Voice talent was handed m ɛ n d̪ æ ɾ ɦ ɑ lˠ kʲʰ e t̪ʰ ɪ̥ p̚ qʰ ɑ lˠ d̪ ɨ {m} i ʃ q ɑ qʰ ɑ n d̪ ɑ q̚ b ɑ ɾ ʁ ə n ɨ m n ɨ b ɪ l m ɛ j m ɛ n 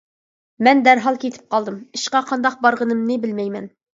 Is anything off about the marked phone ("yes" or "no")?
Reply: no